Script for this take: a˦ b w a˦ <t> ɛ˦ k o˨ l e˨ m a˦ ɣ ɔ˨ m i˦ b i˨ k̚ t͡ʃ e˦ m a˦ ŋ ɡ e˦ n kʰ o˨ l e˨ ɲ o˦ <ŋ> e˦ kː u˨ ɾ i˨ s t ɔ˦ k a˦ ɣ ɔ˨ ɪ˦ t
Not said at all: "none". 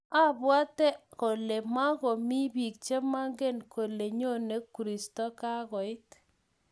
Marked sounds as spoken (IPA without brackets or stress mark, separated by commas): t, n